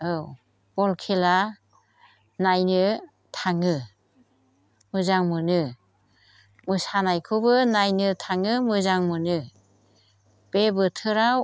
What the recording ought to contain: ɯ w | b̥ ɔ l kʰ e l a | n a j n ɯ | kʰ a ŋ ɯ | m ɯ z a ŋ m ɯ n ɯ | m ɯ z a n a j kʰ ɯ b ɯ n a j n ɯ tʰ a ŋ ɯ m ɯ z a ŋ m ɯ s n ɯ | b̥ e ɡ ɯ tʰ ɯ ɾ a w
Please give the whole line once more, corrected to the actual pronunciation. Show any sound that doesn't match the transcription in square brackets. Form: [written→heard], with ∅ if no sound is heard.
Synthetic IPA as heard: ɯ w | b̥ ɔ l kʰ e l a | n a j n ɯ | [kʰ→tʰ] a ŋ ɯ | m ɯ z a ŋ m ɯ n ɯ | m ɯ [z→s] a n a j kʰ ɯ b ɯ n a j n ɯ tʰ a ŋ ɯ m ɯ z a ŋ m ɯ [s→∅] n ɯ | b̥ e [ɡ→b] ɯ tʰ ɯ ɾ a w